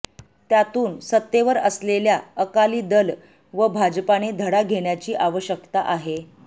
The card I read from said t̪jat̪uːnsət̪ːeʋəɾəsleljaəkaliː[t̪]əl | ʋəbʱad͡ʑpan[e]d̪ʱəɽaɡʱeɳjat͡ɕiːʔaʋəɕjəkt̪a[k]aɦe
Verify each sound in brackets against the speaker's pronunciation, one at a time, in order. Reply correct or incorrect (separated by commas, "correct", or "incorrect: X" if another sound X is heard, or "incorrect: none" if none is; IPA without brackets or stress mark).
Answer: incorrect: d̪, correct, incorrect: ʔ